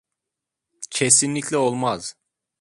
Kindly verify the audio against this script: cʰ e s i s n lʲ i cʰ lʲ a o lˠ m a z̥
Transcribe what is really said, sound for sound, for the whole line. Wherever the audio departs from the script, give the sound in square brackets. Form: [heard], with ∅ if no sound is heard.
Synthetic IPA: cʰ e s i [∅] n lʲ i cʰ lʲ [ɛ] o lˠ m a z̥